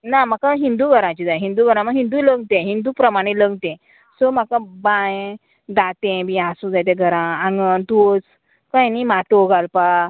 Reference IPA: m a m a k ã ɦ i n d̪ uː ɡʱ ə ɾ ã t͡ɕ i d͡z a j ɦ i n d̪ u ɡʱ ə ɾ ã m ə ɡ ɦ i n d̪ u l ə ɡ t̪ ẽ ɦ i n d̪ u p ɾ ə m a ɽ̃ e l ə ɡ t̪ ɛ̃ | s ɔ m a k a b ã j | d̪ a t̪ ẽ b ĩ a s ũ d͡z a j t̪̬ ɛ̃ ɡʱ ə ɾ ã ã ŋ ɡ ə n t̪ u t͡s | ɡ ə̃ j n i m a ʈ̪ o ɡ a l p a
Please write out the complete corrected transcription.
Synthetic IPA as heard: n a m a k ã ɦ i n d̪ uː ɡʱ ə ɾ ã t͡ɕ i d͡z a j ɦ i n d̪ u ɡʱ ə ɾ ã m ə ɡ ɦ i n d̪ u l ə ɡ t̪ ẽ ɦ i n d̪ u p ɾ ə m a ɽ̃ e l ə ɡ t̪ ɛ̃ | s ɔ m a k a b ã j | d̪ a t̪ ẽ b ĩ a s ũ d͡z a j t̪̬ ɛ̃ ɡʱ ə ɾ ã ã ŋ ɡ ə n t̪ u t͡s | k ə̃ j n i m a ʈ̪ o ɡ a l p a

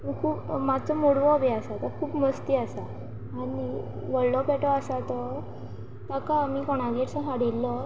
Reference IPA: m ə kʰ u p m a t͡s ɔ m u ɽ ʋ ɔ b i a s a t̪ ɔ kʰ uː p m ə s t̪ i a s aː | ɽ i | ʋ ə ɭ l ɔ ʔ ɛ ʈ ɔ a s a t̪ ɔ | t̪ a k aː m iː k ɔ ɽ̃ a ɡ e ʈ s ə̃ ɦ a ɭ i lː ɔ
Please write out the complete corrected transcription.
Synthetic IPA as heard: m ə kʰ uː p m a t͡s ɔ m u ɽ ʋ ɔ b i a s a t̪ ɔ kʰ uː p m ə s t̪ i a s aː | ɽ i | ʋ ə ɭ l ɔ p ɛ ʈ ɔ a s a t̪ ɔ | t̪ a k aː m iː k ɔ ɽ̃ a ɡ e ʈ s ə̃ ɦ a ɽ i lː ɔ

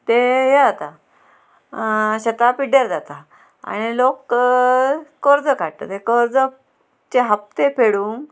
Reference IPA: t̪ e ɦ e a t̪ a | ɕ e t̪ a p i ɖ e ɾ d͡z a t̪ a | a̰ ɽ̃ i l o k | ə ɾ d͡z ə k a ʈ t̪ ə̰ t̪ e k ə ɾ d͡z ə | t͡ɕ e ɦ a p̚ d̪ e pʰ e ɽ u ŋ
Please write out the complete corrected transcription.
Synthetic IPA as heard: t̪ e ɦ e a t̪ a | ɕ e t̪ a p i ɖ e ɾ d͡z a t̪ a | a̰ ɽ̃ i l o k | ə ɾ d͡z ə k a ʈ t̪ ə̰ t̪ e k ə ɾ d͡z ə | t͡ɕ e ɦ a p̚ t̪ e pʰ e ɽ u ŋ

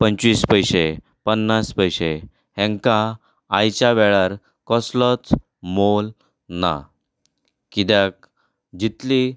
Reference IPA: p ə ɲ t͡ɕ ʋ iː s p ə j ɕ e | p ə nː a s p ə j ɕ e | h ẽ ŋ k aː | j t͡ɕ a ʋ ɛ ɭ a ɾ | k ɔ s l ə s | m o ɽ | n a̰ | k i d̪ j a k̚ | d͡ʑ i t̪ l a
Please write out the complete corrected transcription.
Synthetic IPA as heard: p ə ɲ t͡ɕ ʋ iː s p ə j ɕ e | p ə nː a s p ə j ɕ e | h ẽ ŋ k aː | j t͡ɕ a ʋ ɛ ɭ a ɾ | k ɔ s l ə t͡s | m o l | n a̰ | k i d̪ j a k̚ | d͡ʑ i t̪ l i

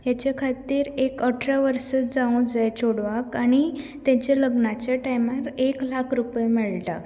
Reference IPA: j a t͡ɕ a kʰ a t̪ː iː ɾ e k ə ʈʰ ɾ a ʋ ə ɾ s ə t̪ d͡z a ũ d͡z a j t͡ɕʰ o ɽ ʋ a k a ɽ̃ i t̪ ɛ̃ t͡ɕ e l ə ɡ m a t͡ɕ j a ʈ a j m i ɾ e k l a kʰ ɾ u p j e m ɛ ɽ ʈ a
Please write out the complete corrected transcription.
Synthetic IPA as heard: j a t͡ɕ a kʰ a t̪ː iː ɾ e k ə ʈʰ ɾ a ʋ ə ɾ s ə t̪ d͡z a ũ d͡z a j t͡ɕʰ o ɽ ʋ a k a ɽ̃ i t̪ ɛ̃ t͡ɕ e l ə ɡ n a t͡ɕ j a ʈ a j m a ɾ e k l a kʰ ɾ u p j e m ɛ ɭ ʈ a

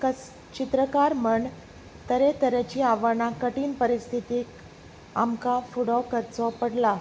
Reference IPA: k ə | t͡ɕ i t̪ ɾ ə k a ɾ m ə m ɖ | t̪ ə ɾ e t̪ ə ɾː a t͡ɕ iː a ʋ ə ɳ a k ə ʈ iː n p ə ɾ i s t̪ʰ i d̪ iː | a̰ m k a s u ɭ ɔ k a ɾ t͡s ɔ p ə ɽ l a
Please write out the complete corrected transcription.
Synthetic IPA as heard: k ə | t͡ɕ i t̪ ɾ ə k a ɾ m ə ɳ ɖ | t̪ ə ɾ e t̪ ə ɾ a t͡ɕ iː a ʋ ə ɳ a k ə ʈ iː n p ə ɾ i s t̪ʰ i t̪ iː | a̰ m k a f u ɽ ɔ k ə ɾ t͡s ɔ p ə ɽ l a

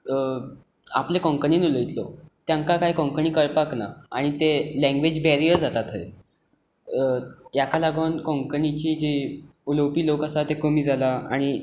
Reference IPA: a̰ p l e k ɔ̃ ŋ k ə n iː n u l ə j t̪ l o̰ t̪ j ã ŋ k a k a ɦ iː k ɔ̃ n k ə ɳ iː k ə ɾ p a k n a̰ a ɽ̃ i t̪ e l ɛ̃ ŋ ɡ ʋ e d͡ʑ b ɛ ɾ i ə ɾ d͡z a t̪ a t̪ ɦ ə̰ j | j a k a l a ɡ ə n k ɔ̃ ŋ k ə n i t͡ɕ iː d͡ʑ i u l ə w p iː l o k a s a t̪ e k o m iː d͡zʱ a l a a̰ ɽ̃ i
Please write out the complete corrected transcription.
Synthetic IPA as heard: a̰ p l e k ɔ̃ ŋ k ə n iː n u l ə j t̪ l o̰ t̪ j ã ŋ k a k a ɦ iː k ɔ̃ ŋ k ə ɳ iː k ə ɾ p a k n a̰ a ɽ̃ i t̪ e l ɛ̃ ŋ ɡ ʋ e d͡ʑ b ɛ ɾ i ə ɾ d͡z a t̪ a t̪ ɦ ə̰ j | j a k a l a ɡ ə n k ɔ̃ ŋ k ə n i t͡ɕ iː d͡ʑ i u l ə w p iː l o k a s a t̪ e k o m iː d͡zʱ a l a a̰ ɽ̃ i

